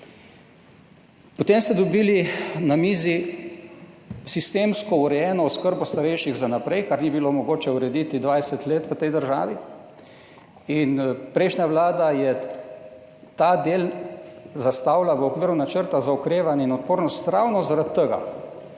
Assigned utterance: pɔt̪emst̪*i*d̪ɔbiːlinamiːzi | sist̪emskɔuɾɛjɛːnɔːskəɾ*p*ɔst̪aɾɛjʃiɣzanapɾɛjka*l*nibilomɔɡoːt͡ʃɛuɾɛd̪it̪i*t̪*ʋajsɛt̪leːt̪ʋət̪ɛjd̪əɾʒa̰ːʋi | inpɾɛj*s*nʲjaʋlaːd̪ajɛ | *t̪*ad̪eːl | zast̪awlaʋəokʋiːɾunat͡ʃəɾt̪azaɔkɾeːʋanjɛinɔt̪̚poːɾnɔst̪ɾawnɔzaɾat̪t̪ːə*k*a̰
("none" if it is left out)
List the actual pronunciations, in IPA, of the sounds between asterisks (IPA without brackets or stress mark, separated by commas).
ɛ, b, ɾ, d̪, ʃ, t̪, ɡ